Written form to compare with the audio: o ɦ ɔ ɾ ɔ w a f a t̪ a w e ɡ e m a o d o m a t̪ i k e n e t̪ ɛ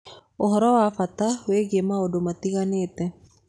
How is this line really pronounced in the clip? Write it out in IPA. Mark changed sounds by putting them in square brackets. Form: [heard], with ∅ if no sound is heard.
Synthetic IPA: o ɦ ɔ ɾ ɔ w a f a t̪ a w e ɡ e m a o d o m a t̪ i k [a] n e t̪ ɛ

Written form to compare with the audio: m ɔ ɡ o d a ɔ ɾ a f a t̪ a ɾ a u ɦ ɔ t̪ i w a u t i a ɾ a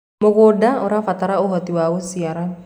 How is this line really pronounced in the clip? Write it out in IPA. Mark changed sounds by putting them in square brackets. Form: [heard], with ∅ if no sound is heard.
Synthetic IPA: m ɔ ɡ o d a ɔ ɾ a f a t̪ a ɾ a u ɦ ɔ t̪ i w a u [s] i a ɾ a

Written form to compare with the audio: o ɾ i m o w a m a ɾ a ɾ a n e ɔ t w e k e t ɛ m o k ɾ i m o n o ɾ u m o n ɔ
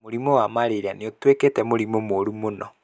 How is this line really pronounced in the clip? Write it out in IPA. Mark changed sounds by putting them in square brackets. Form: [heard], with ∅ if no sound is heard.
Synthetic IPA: o ɾ i m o w a m a ɾ [e] ɾ a n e [o] t w e k e t ɛ m o [∅] ɾ i m o [m] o ɾ u m o n ɔ

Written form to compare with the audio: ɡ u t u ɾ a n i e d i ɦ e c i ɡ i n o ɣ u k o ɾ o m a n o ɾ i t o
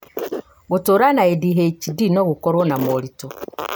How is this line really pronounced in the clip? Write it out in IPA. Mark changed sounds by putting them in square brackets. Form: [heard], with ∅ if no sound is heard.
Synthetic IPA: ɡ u t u ɾ a n [a] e d i ɦ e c i [d] i n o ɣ u k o ɾ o [n] a [m] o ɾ i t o

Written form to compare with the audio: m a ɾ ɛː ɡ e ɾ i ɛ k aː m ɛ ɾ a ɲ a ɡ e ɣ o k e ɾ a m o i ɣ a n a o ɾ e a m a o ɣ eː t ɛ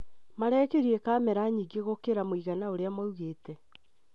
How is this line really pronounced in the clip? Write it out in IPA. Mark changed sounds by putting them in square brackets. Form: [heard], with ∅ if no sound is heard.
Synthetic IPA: m a ɾ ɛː [k] e ɾ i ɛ k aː m ɛ ɾ a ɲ [i] ɡ e ɣ o k e ɾ a m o i ɣ a n a o ɾ e a m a [u] ɣ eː t ɛ

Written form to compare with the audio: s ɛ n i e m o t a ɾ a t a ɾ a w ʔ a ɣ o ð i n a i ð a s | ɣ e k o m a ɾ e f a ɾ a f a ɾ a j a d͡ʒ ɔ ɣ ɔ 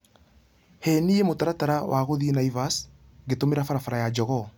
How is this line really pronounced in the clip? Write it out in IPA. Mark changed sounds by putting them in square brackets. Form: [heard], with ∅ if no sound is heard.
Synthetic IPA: [h] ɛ n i e m o t a ɾ a t a ɾ a w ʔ a ɣ o ð i n a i [v] a s | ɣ e [t] o m [e] ɾ [a] f a ɾ a f a ɾ a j a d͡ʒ ɔ ɣ ɔ

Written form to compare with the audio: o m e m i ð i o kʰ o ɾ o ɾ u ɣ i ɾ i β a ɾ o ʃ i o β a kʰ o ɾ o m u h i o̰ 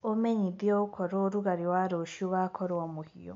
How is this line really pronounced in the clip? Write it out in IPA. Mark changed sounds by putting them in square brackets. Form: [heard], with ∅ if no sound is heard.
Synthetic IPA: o m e [ɲ] i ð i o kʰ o ɾ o ɾ u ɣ [a] ɾ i [w] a ɾ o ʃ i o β a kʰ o ɾ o m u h i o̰

